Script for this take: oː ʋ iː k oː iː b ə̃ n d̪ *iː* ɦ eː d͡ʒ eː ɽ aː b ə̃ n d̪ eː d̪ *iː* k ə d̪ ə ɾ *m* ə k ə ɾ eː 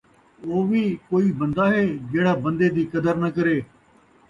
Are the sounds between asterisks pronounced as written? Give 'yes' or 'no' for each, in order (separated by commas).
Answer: no, yes, no